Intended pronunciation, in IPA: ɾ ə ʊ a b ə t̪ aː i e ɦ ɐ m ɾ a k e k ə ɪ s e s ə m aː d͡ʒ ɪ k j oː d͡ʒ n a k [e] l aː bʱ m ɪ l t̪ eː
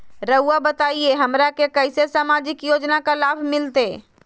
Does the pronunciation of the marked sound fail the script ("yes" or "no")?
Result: yes